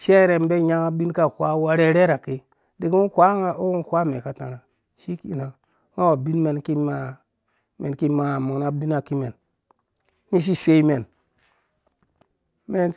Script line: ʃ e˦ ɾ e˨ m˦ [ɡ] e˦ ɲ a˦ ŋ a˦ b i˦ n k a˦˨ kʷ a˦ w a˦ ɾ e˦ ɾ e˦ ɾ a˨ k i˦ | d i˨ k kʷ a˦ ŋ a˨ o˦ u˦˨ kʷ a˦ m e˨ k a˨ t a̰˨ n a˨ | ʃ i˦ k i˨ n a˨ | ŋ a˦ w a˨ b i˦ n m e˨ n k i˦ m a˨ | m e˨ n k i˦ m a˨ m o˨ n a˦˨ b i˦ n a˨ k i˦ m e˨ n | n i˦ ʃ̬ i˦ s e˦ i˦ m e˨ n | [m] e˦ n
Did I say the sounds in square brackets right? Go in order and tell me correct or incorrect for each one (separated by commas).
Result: incorrect, correct